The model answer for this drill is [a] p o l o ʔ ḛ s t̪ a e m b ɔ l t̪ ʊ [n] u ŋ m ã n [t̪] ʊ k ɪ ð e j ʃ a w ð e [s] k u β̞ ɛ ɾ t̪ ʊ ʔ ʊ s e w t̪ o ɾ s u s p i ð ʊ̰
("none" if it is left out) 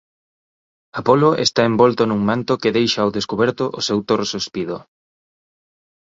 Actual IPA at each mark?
a, n, t̪, s

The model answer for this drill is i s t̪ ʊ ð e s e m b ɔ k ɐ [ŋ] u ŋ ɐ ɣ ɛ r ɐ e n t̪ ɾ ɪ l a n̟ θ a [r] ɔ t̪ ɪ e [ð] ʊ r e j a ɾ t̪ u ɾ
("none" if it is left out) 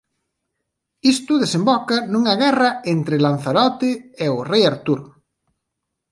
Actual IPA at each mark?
n, ɾ, none

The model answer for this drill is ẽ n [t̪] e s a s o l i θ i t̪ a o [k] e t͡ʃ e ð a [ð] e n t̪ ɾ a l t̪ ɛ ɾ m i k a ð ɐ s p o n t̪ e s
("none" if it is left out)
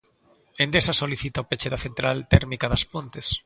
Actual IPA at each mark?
d̪, p, θ

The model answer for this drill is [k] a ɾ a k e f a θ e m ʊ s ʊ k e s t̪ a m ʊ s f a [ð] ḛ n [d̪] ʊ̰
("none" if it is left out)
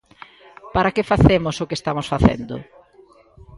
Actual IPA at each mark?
p, θ, d̪

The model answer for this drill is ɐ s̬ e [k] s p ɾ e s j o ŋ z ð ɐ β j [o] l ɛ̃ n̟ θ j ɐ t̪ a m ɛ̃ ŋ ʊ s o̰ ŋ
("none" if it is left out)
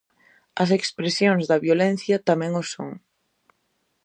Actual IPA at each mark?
k, o

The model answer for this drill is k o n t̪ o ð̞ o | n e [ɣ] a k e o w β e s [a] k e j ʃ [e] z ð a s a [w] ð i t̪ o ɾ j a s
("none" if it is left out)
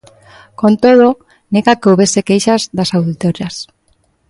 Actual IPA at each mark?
ɣ, e, a, w

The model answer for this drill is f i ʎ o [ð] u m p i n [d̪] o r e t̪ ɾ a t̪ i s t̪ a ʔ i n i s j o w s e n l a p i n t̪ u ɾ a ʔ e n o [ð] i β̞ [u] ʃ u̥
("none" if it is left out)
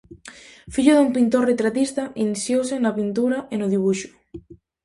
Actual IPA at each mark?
ð, t̪, ð, u

